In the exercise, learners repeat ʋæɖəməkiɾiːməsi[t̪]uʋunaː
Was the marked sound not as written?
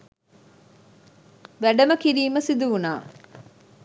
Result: yes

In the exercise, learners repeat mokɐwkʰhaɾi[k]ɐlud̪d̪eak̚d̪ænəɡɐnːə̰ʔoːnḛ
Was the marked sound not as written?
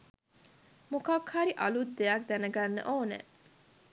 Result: yes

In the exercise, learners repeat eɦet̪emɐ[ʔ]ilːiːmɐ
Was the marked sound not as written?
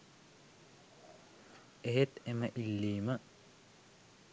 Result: no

